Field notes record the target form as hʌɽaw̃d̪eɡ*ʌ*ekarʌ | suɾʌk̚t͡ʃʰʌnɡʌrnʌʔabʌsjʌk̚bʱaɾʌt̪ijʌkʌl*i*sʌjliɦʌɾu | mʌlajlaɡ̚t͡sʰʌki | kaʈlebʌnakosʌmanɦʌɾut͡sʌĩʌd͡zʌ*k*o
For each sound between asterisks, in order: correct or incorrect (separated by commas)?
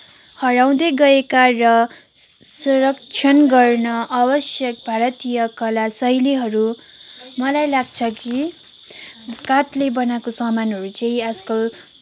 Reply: correct, incorrect, correct